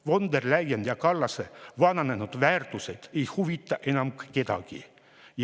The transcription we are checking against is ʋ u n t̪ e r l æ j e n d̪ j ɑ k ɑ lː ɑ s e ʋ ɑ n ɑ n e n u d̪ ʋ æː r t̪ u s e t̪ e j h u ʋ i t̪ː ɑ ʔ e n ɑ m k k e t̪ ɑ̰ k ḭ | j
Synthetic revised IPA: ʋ o n d̪ e r l æ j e n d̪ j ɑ k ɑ lː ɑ s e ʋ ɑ n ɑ n e n u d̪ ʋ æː r t̪ u s e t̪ e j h u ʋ i t̪ː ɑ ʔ e n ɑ m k k e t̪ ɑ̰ k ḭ | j